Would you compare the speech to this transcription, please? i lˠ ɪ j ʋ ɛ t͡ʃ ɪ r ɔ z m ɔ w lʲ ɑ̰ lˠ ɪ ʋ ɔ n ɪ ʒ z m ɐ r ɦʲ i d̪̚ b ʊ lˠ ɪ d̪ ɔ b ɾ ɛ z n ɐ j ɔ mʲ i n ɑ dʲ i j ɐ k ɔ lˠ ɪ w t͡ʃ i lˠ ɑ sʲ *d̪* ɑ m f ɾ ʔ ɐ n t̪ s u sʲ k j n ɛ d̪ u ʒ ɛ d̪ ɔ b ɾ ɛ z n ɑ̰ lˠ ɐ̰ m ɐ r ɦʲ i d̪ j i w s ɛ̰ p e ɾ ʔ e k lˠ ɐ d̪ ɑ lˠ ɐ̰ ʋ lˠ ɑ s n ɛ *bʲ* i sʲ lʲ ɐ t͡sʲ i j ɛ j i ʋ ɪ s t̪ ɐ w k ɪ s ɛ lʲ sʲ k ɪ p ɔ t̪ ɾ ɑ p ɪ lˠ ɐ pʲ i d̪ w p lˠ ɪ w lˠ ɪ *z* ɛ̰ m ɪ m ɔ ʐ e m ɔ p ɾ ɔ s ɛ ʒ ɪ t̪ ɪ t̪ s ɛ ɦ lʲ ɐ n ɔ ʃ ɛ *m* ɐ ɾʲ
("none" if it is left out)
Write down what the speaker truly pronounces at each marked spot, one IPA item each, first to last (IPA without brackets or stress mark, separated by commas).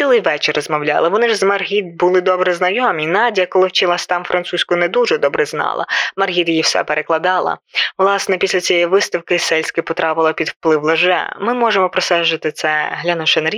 t̪, pʲ, ʒ, n